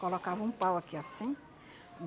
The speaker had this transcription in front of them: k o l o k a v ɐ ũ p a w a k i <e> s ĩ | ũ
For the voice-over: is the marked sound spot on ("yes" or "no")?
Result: no